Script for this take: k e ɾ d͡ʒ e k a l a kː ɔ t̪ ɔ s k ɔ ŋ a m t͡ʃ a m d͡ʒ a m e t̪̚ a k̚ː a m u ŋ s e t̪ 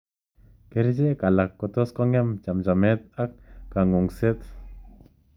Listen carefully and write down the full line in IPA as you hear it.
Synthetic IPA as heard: k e ɾ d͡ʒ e k a l a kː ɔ t̪ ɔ s k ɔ ŋ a m t͡ʃ a m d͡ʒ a m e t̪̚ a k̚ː a ŋ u ŋ s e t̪